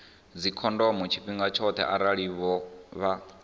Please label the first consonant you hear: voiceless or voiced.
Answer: voiced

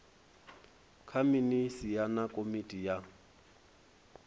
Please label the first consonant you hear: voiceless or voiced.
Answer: voiceless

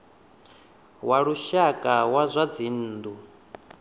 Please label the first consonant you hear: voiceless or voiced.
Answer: voiced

